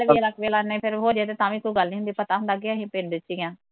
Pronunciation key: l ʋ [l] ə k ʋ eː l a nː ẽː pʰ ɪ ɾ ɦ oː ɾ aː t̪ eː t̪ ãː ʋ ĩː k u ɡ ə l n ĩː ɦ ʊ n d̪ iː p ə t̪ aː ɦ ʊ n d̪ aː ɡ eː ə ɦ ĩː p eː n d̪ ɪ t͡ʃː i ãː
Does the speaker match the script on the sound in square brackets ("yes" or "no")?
yes